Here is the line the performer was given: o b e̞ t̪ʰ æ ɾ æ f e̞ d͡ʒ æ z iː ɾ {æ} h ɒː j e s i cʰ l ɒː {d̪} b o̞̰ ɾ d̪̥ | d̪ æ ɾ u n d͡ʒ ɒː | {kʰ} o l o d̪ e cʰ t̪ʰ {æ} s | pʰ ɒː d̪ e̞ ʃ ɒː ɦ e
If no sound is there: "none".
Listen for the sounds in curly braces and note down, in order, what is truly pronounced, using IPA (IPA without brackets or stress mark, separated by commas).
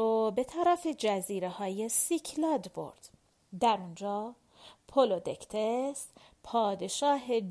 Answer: e, d̪, pʰ, e